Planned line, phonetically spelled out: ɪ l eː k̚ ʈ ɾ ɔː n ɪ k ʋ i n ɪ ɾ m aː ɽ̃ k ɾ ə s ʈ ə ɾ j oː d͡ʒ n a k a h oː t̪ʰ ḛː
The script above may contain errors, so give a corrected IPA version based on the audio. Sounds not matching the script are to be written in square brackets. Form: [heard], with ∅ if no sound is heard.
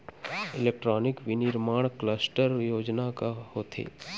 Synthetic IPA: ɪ l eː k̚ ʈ ɾ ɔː n ɪ k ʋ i n ɪ ɾ m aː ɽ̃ k [l] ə s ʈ ə ɾ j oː d͡ʒ n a k a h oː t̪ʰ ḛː